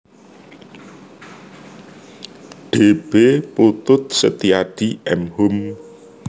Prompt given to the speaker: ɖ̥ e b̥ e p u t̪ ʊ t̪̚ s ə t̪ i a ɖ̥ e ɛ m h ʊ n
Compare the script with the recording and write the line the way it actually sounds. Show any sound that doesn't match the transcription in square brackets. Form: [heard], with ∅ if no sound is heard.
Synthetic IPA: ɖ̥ e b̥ e p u t̪ ʊ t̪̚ s ə t̪ i a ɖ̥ [i] ɛ m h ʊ [m]

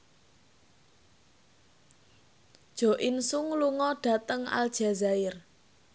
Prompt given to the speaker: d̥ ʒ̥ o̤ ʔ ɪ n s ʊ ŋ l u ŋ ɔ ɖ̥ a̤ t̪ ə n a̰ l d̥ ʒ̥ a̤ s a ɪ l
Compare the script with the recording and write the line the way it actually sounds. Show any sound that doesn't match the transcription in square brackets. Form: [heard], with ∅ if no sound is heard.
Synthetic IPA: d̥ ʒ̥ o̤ ʔ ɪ n s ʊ ŋ l u ŋ ɔ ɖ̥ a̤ t̪ ə [ŋ] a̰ l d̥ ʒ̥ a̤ [z] a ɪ [r]

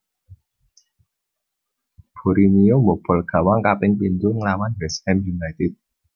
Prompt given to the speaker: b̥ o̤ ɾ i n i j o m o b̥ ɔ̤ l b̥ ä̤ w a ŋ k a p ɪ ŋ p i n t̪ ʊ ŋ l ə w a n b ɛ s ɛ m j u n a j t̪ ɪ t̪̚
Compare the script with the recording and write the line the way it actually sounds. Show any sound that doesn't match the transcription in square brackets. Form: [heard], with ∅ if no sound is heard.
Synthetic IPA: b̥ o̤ ɾ i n i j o m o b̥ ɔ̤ l [ɡ̥] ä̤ w a ŋ k a p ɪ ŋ p i n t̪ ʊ ŋ l [a] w a n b ɛ s ɛ m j u n a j t̪ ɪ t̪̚

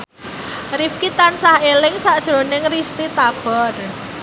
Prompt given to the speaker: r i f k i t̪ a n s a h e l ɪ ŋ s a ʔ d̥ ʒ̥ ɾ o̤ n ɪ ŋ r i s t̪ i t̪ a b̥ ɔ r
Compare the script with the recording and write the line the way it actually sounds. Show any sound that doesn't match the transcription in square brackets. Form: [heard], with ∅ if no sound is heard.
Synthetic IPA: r i f k i t̪ a n s a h e l ɪ ŋ s a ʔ d̥ ʒ̥ ɾ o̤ n ɪ ŋ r i s t̪ i t̪ a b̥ ɔ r

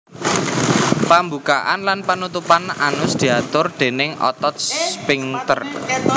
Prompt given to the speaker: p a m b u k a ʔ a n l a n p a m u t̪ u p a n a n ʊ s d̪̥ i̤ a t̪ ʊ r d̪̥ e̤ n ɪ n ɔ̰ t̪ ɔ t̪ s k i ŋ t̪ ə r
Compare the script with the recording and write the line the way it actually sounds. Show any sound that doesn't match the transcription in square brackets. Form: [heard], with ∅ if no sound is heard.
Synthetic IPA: p a m b u k a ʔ a n l a n p a [n] u t̪ u p a n a n ʊ s d̪̥ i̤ a t̪ ʊ r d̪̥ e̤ n ɪ [ŋ] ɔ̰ t̪ ɔ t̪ s [p] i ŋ t̪ ə r

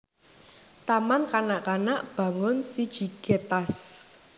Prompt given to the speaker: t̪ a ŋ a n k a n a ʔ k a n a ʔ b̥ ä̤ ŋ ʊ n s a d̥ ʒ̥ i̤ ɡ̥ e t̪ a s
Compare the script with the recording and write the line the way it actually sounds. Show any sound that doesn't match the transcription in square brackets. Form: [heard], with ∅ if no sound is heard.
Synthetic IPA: t̪ a [m] a n k a n a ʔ k a n a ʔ b̥ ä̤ ŋ ʊ n s [i] d̥ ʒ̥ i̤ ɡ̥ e t̪ a s

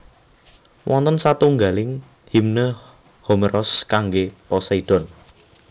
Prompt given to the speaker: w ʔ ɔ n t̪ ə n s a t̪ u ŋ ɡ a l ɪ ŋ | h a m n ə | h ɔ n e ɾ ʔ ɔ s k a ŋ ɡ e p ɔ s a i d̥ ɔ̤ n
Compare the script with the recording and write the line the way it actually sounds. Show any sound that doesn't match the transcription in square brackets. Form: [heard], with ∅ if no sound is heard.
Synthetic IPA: w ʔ ɔ n t̪ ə n s a t̪ u ŋ ɡ a l ɪ ŋ | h [i] m n ə | h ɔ [m] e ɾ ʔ ɔ s k a ŋ ɡ e p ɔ s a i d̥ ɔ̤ n

